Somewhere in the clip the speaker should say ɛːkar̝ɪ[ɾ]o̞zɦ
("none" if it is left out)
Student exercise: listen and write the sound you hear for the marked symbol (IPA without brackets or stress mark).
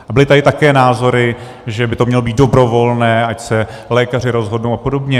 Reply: ɾ